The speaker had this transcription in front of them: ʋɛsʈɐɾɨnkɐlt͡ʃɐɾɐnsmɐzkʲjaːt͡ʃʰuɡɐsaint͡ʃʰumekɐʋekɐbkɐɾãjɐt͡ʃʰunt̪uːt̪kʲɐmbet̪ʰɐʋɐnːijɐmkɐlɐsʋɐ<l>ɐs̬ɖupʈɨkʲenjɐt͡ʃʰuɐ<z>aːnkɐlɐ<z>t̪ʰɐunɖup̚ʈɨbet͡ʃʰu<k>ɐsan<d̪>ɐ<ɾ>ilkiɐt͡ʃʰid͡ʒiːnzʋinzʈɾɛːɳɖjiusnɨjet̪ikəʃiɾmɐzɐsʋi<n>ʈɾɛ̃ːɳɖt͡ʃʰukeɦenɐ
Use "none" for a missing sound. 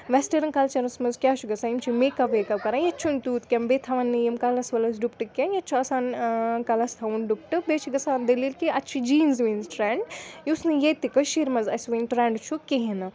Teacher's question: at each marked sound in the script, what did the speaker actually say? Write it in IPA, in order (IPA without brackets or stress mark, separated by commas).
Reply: l, s, s, ɡ, d̪, l, n